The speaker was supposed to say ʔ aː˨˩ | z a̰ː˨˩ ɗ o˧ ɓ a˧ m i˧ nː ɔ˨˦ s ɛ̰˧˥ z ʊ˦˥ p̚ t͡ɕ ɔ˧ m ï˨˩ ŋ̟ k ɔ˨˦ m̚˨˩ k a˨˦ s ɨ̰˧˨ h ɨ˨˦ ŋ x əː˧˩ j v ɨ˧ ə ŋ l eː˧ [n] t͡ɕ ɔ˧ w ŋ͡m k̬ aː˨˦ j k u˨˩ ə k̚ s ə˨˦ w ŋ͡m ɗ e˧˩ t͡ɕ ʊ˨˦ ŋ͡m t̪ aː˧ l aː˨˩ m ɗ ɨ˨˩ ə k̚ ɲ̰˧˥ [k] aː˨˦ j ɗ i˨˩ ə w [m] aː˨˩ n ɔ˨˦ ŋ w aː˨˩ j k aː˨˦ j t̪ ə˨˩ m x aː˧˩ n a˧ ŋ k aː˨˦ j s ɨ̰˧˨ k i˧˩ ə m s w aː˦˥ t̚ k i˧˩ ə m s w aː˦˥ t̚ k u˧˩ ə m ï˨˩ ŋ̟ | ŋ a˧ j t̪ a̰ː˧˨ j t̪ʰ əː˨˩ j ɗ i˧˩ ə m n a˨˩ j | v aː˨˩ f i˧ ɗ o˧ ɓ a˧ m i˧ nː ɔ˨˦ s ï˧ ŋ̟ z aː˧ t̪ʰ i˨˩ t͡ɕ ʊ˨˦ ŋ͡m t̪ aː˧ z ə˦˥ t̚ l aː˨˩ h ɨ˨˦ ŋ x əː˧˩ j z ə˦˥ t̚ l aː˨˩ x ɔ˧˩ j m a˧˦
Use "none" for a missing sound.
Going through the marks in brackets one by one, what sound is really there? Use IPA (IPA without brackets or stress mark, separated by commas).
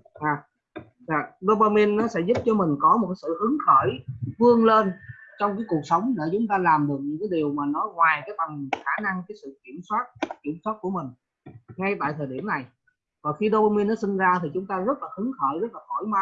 n, k, m